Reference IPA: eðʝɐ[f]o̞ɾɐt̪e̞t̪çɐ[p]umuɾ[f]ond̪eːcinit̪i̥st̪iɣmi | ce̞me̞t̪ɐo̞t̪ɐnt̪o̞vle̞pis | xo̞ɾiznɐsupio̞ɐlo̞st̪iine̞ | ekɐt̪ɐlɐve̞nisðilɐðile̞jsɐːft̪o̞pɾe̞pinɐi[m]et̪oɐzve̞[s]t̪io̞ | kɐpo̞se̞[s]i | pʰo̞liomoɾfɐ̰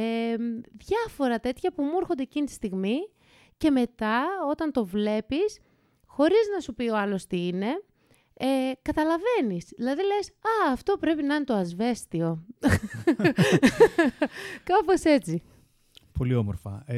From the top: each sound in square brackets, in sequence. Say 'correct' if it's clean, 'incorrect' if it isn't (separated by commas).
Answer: correct, correct, incorrect, incorrect, correct, incorrect